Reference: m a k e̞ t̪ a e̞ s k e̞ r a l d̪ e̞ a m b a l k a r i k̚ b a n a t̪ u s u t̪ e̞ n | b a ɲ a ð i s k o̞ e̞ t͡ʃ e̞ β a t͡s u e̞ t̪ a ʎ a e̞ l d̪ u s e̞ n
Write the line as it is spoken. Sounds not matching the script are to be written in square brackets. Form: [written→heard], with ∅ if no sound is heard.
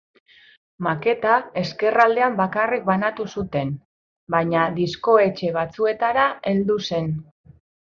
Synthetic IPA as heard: m a k e̞ t̪ a e̞ s k e̞ r a l d̪ e̞ a m b a [l→∅] k a r i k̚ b a n a t̪ u s u t̪ e̞ n | b a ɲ a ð i s k o̞ e̞ t͡ʃ e̞ β a t͡s u e̞ t̪ a [ʎ→ɾ] a e̞ l d̪ u s e̞ n